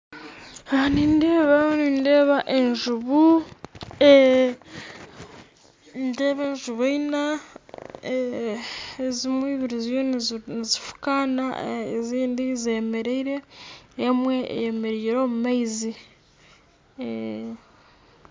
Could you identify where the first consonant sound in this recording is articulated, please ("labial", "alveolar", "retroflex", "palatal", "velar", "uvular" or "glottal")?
alveolar